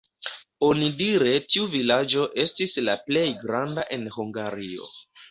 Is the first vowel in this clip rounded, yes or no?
yes